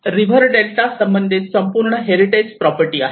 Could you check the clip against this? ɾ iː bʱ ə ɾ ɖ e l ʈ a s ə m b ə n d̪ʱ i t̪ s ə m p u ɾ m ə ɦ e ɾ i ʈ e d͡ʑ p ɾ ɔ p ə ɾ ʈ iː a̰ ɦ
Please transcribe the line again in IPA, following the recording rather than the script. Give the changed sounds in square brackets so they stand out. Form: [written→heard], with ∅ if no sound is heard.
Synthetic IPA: ɾ [iː→i] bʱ ə ɾ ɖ e l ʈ a s ə m b ə n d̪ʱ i t̪ s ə m p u ɾ [m→ɳ] ə ɦ e ɾ i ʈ e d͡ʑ p ɾ ɔ p ə ɾ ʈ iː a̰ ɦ